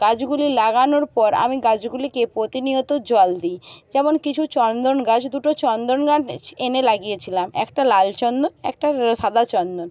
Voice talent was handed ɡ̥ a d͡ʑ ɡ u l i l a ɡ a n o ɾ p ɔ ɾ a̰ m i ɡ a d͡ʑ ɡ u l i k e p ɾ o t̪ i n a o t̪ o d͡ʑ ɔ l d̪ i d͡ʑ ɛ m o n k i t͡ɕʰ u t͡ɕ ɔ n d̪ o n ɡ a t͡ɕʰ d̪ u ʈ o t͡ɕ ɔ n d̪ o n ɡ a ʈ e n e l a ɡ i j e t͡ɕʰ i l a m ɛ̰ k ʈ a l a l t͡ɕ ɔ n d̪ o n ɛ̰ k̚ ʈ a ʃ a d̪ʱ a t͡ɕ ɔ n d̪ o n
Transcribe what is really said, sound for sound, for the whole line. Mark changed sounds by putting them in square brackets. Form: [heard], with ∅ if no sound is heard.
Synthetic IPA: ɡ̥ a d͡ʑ ɡ u l i l a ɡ a n o ɾ p ɔ ɾ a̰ m i ɡ a d͡ʑ ɡ u l i k e p ɾ o t̪ i n [i] o t̪ o d͡ʑ ɔ l d̪ i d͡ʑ ɛ m o n k i t͡ɕʰ u t͡ɕ ɔ n d̪ o n ɡ a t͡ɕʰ d̪ u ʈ o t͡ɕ ɔ n d̪ o n ɡ a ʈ e n e l a ɡ i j e t͡ɕʰ i l a m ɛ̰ k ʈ a l a l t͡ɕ ɔ n d̪ o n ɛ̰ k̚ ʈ a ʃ a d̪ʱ a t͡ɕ ɔ n d̪ o n